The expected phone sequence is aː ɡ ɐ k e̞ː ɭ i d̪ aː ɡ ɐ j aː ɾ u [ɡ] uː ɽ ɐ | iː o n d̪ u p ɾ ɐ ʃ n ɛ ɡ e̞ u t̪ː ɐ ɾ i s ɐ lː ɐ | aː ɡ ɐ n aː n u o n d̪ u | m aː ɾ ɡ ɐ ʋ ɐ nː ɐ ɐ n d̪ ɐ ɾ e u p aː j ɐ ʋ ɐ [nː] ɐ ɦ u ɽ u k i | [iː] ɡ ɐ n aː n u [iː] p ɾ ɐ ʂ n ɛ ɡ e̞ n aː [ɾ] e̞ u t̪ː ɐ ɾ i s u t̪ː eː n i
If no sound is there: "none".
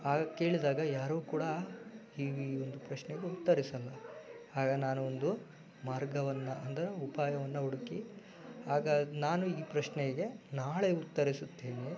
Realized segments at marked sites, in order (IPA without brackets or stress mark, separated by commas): k, nː, aː, iː, ɭ